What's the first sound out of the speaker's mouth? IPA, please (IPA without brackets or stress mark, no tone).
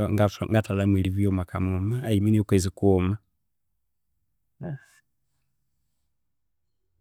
ŋ